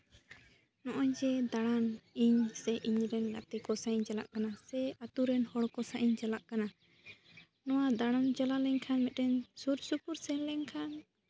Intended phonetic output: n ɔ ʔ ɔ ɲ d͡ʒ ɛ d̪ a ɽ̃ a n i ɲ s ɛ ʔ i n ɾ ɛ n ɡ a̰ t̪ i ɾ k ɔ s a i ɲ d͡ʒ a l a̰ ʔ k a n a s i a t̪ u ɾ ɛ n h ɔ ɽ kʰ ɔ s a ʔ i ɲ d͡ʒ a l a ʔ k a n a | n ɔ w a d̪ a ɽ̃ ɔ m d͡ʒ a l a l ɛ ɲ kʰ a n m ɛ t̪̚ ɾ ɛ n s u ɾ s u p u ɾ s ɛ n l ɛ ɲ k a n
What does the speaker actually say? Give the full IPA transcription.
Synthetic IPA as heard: n ɔ ʔ ɔ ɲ d͡ʒ ɛ d̪ a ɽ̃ a n i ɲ s ɛ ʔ i ɲ ɾ ɛ n ɡ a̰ t̪ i k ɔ s a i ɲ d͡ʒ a l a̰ ʔ k a n a s ɛ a t̪ u ɾ ɛ n h ɔ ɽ k ɔ s a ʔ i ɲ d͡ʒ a l a ʔ k a n a | n ɔ w a d̪ a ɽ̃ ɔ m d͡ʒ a l a l ɛ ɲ kʰ a n m ɛ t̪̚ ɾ ɛ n s u ɾ s u p u ɾ s ɛ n l ɛ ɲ kʰ a n